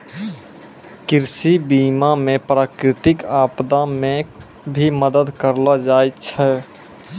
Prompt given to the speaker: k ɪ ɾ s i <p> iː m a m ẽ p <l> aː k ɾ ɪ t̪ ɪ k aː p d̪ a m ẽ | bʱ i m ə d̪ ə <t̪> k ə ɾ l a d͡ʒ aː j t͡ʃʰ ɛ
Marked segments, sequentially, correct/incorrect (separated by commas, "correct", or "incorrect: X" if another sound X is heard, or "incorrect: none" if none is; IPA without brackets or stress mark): incorrect: b, incorrect: ɾ, incorrect: d̪